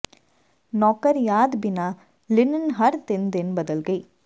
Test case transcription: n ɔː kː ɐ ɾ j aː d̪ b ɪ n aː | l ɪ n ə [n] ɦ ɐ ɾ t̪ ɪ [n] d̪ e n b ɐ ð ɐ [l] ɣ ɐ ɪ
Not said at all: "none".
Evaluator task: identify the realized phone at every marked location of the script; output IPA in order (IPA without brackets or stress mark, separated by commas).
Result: n, n, l